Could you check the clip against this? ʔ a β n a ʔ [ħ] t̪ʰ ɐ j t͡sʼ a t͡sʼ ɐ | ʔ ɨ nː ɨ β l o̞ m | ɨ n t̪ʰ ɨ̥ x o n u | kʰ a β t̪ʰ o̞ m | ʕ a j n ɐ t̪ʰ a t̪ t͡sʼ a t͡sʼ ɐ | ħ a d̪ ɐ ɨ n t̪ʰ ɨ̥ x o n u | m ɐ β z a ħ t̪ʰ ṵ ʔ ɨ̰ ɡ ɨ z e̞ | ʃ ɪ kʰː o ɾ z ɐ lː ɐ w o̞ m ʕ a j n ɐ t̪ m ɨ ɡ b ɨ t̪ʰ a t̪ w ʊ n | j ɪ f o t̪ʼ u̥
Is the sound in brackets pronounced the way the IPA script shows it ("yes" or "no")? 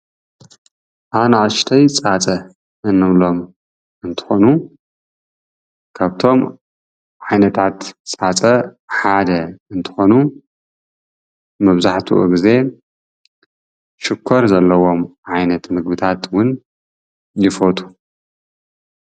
no